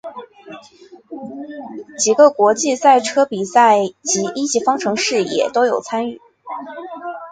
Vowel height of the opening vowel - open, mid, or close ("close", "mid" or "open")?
close